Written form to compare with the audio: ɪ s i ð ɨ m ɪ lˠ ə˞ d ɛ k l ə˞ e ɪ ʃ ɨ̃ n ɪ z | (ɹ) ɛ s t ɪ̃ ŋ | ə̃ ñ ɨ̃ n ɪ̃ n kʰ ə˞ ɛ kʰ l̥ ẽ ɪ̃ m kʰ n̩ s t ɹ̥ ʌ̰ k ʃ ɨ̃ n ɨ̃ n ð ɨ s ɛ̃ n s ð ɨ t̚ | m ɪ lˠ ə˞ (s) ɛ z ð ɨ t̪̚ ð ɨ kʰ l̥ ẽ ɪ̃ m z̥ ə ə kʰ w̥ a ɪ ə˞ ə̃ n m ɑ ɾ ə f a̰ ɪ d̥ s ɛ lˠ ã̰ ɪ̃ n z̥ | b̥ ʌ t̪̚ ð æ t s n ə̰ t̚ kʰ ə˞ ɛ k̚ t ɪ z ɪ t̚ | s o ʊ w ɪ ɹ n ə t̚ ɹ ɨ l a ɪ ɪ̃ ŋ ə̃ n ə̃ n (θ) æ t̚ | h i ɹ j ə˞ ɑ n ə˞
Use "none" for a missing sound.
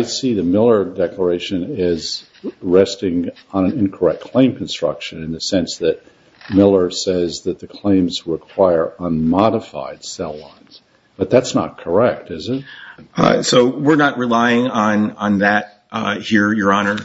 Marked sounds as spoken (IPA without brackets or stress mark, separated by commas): ɹ, s, ð